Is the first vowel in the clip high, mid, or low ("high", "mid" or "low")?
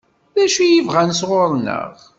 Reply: low